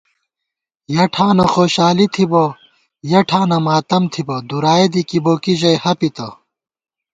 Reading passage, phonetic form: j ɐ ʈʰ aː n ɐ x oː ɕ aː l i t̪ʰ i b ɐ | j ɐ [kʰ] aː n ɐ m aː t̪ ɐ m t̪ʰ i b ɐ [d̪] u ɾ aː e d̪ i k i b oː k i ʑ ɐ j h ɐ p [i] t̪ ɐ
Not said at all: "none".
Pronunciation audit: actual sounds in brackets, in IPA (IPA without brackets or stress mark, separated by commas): ʈʰ, d̪, i